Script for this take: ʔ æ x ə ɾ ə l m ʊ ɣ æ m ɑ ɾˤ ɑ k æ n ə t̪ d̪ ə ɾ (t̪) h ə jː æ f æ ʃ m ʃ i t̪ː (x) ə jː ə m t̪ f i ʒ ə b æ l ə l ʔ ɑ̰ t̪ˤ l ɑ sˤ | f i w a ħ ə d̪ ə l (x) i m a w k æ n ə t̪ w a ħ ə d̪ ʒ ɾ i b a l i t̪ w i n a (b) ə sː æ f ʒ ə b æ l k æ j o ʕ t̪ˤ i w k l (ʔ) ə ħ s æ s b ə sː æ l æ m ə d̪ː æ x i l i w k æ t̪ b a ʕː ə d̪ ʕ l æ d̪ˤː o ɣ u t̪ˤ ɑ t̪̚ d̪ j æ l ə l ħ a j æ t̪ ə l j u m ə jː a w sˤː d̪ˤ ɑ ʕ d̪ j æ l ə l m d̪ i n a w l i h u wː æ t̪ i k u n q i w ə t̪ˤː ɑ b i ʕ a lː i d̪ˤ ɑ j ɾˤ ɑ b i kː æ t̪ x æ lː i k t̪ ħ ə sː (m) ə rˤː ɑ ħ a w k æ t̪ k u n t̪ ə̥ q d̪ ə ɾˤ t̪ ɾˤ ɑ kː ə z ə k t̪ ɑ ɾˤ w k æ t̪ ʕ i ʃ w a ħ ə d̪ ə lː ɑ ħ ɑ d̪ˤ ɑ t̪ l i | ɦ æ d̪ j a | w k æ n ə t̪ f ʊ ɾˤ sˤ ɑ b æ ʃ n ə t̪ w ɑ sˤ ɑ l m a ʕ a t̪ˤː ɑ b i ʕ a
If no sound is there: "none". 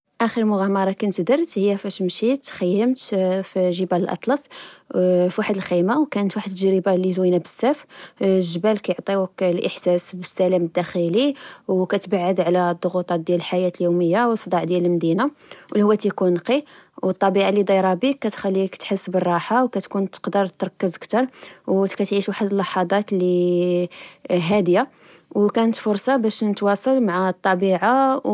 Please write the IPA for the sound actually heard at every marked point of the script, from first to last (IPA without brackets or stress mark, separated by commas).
t̪, x, x, b, ʔ, b